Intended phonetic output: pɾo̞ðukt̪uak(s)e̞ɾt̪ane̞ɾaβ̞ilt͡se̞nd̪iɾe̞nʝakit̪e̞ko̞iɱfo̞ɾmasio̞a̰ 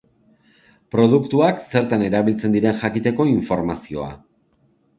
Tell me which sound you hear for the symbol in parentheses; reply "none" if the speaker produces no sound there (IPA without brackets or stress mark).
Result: s